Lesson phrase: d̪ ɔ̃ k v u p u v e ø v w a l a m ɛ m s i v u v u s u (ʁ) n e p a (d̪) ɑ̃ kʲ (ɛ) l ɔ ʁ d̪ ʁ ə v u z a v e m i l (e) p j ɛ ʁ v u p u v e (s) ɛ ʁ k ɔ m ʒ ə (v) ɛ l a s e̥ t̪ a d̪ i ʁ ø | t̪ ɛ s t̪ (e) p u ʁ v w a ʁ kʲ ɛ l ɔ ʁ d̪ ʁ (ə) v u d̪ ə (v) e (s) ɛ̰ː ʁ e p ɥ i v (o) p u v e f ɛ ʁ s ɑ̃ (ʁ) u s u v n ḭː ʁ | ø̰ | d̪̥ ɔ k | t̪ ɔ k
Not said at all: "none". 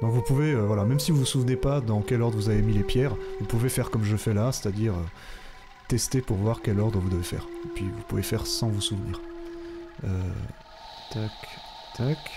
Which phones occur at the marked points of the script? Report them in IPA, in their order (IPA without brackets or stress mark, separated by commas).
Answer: v, d̪, ɛ, e, f, f, e, ə, v, f, u, v